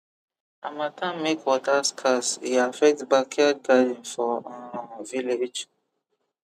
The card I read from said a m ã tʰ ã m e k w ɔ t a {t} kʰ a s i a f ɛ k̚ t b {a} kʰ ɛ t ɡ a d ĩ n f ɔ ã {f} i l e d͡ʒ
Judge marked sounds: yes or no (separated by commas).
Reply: no, yes, no